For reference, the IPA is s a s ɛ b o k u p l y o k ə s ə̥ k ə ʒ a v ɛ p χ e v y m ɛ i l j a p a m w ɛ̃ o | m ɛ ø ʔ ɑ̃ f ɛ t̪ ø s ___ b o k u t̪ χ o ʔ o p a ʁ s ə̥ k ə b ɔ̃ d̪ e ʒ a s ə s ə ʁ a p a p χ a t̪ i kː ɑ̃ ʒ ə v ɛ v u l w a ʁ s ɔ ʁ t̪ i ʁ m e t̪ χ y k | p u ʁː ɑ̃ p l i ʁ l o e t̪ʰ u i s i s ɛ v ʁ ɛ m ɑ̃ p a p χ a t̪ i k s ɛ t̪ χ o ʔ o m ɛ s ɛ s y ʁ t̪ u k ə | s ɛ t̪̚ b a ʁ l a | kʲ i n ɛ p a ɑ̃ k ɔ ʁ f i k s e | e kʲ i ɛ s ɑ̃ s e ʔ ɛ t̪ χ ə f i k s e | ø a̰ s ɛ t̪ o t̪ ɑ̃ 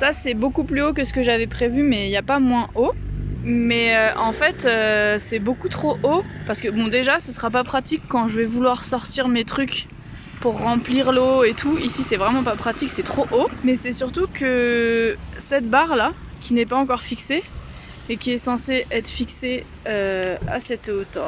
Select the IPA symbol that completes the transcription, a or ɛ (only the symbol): ɛ